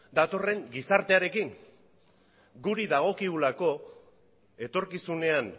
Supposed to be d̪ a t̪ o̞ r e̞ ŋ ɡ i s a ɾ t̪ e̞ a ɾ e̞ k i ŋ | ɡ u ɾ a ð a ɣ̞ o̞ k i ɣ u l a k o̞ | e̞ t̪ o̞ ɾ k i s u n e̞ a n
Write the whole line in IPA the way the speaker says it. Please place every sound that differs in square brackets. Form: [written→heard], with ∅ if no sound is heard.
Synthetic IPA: d̪ a t̪ o̞ r e̞ ŋ ɡ i s a ɾ t̪ e̞ a ɾ e̞ k i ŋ | ɡ u ɾ [a→i] ð a ɣ̞ o̞ k i ɣ u l a k o̞ | e̞ t̪ o̞ ɾ k i s u n e̞ a n